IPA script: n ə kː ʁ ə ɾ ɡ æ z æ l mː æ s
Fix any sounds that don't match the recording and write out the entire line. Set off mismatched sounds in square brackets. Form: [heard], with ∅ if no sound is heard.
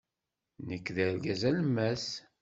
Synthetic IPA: n ə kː [ð] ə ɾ ɡ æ z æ l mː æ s